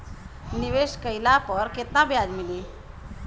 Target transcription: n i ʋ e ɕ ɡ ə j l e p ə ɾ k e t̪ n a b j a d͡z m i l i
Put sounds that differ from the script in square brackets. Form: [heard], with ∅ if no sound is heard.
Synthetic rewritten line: n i ʋ e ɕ [k] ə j l [a] p ə ɾ k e t̪ n a b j a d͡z m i l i

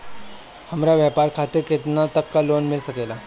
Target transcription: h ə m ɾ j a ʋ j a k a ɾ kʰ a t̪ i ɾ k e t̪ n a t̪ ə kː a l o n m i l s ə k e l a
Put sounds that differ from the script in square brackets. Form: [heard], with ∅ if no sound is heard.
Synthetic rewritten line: h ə m ɾ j a ʋ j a [p] a ɾ kʰ a t̪ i ɾ k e t̪ n a t̪ ə kː a l o n m i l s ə k e l a

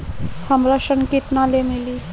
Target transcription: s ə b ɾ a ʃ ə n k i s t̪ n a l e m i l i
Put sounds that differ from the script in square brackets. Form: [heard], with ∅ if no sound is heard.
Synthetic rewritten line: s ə [m] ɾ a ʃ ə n k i [∅] t̪ n a l e m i l i

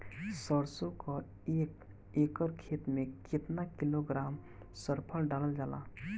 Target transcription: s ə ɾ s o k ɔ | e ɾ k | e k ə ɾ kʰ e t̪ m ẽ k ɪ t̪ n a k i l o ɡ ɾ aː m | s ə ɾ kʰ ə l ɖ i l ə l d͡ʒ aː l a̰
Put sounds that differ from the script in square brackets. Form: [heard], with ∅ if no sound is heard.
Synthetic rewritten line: s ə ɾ s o k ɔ | e [∅] k | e k ə ɾ kʰ e t̪ m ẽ k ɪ t̪ n a k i l o ɡ ɾ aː m | s ə ɾ [pʰ] ə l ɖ [a] l ə l d͡ʒ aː l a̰

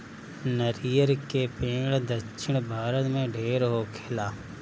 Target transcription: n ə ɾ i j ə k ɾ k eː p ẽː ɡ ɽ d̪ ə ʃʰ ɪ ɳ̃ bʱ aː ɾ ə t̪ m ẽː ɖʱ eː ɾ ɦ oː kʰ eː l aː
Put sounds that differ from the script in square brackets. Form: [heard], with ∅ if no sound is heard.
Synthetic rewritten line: n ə ɾ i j ə [∅] ɾ k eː p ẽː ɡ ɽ d̪ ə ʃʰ ɪ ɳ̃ bʱ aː ɾ ə t̪ m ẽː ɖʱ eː ɾ ɦ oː kʰ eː l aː

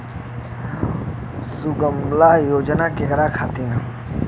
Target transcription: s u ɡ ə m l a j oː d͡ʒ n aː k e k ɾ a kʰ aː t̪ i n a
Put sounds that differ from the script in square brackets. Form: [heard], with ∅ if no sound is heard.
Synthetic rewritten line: s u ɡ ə m l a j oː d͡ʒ n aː k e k ɾ a kʰ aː t̪ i n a

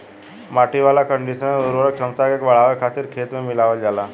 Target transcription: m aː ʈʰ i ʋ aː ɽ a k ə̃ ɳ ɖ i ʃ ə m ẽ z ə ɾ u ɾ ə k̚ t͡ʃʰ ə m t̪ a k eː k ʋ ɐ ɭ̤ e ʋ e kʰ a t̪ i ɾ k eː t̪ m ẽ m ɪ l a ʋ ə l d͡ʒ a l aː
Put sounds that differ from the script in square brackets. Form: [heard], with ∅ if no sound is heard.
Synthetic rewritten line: m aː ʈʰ i ʋ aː [l] a k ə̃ ɳ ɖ i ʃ ə [n] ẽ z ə ɾ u ɾ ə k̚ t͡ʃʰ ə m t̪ a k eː k ʋ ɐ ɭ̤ [a] ʋ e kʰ a t̪ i ɾ [kʰ] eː t̪ m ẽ m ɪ l a ʋ ə l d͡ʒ a l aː

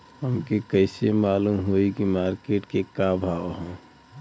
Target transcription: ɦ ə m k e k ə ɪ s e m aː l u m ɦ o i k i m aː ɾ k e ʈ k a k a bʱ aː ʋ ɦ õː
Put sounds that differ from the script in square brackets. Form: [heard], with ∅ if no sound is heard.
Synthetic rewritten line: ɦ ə m k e k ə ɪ s e m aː l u m ɦ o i k i m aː ɾ k e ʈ k [e] k a bʱ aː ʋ ɦ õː

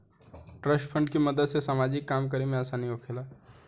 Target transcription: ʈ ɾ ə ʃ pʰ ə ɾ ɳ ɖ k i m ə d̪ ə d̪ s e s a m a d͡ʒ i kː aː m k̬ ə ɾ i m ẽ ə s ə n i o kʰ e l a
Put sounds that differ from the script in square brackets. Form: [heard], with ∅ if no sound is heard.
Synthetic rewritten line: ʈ ɾ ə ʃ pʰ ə [∅] ɳ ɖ k i m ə d̪ ə d̪ s e s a m a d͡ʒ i kː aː m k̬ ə ɾ i m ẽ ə s [a] n i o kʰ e l a

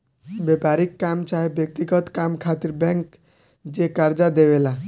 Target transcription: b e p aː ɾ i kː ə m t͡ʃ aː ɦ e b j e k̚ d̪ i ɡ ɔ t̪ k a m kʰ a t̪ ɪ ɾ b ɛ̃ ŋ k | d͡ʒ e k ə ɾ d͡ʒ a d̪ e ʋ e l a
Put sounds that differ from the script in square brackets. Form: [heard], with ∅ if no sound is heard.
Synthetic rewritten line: b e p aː ɾ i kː [a] m t͡ʃ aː ɦ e b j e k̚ [t̪] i ɡ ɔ t̪ k a m kʰ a t̪ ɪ ɾ b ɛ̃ ŋ k | d͡ʒ e k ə ɾ d͡ʒ a d̪ e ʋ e l a

